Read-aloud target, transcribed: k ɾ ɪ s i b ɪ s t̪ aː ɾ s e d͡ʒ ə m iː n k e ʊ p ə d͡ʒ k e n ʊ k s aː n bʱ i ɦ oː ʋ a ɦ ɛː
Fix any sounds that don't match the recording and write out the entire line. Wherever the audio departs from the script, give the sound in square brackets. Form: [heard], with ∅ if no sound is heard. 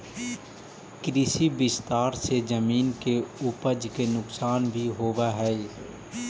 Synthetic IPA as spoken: k ɾ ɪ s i b ɪ s t̪ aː ɾ s e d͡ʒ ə m iː n k e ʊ p ə d͡ʒ k e n ʊ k s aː n bʱ i ɦ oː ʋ a ɦ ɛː